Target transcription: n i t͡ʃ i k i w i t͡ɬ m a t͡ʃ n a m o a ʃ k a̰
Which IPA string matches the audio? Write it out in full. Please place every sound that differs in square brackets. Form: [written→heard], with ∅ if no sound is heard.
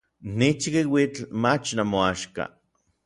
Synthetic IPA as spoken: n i t͡ʃ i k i w i t͡ɬ m a t͡ʃ n a m o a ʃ k a̰